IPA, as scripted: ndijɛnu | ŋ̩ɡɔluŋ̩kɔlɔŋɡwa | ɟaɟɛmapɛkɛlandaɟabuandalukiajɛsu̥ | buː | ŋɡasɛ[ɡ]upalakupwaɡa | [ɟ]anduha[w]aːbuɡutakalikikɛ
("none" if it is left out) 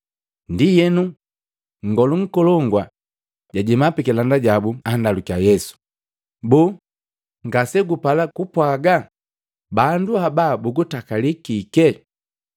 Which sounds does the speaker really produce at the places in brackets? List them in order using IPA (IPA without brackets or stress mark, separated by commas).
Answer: ɡ, b, b